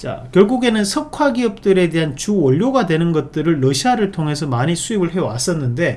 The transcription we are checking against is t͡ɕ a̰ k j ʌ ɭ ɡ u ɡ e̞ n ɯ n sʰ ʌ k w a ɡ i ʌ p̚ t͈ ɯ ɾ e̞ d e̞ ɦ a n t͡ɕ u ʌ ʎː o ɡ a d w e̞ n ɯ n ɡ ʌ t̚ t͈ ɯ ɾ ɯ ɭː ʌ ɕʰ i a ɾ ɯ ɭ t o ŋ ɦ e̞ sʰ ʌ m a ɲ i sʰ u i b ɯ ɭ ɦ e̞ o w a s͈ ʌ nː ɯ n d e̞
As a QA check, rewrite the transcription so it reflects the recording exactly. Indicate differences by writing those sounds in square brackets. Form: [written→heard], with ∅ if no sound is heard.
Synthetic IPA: t͡ɕ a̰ k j ʌ ɭ ɡ u ɡ e̞ n ɯ n sʰ ʌ [k→kʰ] w a ɡ i ʌ p̚ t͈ ɯ ɾ e̞ d e̞ ɦ a n t͡ɕ u ʌ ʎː o ɡ a d w e̞ n ɯ n ɡ ʌ t̚ t͈ ɯ ɾ ɯ ɭː ʌ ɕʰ i a ɾ ɯ ɭ [t→tʰ] o ŋ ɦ e̞ sʰ ʌ m a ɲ i sʰ u i b ɯ ɭ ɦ e̞ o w a s͈ ʌ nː ɯ n d e̞